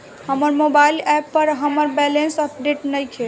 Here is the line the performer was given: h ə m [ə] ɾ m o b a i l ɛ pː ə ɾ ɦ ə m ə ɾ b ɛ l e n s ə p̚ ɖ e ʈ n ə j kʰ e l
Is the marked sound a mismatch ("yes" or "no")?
no